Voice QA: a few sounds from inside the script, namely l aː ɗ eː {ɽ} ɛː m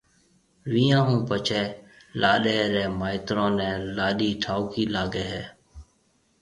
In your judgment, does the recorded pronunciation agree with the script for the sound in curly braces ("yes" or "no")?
no